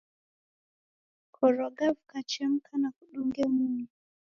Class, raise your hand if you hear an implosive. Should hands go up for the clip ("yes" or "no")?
yes